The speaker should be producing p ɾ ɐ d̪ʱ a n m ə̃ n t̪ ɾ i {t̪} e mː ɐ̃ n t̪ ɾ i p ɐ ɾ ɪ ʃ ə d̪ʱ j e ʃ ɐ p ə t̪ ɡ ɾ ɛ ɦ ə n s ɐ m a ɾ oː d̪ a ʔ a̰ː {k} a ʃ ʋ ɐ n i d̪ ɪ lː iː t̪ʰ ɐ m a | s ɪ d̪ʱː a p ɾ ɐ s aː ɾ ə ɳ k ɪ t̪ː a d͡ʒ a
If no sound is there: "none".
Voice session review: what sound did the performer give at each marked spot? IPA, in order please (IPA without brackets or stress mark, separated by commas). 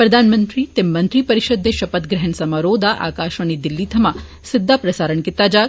t̪, k